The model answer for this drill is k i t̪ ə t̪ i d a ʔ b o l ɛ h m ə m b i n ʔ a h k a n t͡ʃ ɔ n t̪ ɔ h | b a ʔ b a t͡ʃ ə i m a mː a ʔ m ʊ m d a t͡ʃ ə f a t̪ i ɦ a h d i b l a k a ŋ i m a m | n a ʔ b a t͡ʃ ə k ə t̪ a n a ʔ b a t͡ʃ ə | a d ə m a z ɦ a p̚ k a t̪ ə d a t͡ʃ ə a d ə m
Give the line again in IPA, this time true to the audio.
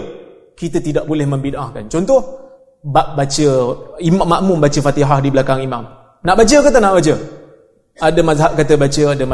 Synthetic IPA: k i t̪ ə t̪ i d a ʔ b o l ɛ h m ə m b i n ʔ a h k a n t͡ʃ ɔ n t̪ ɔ h | b a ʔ b a t͡ʃ ə i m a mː a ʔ m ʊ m b a t͡ʃ ə f a t̪ i ɦ a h d i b l a k a ŋ i m a m | n a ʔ b a t͡ʃ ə k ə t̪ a n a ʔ b a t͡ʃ ə | a d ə m a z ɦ a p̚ k a t̪ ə b a t͡ʃ ə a d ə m